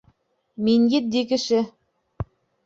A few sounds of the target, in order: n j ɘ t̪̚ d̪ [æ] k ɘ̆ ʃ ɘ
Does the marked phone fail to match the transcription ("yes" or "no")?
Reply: yes